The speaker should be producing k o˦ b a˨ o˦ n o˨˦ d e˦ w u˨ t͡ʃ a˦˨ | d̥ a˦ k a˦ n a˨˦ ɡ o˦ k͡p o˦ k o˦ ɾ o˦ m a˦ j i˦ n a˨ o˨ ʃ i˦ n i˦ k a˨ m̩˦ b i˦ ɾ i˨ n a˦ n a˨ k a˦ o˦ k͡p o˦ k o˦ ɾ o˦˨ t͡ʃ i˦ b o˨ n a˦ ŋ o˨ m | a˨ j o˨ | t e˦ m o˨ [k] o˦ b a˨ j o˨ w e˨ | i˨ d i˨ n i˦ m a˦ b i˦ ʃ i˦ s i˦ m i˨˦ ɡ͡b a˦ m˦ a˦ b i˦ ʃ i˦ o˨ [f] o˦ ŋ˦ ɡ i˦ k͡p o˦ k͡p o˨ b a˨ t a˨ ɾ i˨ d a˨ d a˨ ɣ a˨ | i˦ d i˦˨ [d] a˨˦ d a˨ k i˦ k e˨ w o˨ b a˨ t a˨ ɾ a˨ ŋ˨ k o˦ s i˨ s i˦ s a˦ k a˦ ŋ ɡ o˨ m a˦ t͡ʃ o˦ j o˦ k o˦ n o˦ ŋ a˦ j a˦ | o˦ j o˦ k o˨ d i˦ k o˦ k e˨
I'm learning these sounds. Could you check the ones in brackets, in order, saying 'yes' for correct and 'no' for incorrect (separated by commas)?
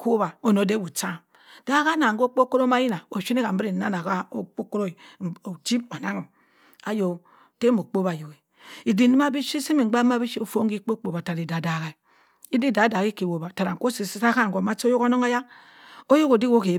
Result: no, yes, yes